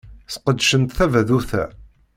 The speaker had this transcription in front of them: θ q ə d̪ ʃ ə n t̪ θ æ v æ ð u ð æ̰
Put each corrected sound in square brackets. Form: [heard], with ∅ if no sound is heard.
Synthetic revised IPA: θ q ə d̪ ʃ ə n t̪ θ æ v æ ð u [θ] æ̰